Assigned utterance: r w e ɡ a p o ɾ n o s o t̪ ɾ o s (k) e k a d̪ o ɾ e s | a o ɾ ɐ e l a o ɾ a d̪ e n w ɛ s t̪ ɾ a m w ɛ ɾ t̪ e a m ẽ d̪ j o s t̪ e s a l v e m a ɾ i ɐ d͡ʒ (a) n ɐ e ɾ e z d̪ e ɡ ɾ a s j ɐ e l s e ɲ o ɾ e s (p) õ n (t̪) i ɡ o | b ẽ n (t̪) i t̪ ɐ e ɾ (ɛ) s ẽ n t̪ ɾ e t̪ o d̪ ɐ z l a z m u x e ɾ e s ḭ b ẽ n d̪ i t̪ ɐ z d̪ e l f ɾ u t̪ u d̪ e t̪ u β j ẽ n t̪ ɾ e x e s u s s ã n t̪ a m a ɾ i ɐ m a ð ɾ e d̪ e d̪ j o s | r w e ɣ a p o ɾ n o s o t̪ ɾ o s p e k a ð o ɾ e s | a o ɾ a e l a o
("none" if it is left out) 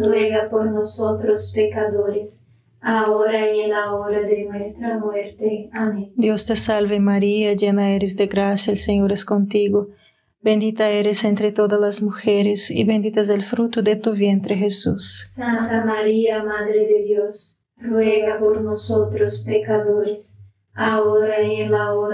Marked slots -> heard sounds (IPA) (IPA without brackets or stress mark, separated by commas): p, e, k, t̪, d̪, e